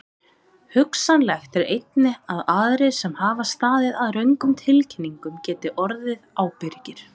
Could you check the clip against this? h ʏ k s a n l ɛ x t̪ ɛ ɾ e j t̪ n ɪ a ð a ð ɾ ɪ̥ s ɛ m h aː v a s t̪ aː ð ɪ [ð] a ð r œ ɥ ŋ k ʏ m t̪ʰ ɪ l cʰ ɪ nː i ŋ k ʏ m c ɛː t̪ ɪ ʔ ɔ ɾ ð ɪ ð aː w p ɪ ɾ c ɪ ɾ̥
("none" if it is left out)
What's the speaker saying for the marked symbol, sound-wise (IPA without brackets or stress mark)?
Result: ð